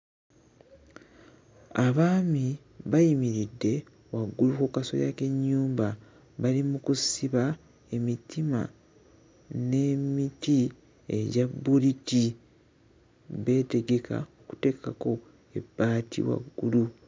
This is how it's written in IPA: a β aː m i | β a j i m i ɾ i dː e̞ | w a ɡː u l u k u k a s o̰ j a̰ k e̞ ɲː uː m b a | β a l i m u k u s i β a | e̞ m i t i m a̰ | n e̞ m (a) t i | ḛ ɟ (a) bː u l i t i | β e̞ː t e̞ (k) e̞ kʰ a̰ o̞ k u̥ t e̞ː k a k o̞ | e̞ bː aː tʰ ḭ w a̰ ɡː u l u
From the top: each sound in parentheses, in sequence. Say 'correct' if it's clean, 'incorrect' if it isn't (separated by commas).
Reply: incorrect, correct, incorrect